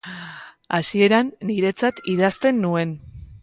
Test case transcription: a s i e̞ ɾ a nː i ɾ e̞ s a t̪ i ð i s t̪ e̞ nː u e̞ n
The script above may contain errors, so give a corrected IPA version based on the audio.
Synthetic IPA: a s i e̞ ɾ a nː i ɾ e̞ t͡s a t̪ i ð a s t̪ e̞ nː u e̞ n